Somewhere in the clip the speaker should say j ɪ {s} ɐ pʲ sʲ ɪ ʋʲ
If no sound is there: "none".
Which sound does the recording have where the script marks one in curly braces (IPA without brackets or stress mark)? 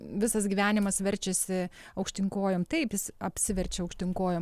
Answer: s